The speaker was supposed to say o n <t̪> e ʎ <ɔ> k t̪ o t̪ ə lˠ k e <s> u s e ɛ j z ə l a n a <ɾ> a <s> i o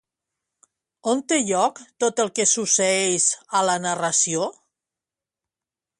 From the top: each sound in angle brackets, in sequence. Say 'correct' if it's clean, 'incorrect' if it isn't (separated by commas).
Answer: correct, correct, correct, incorrect, correct